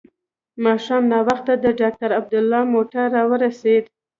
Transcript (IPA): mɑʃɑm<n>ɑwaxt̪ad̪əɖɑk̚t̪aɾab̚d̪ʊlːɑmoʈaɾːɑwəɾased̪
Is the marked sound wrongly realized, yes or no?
no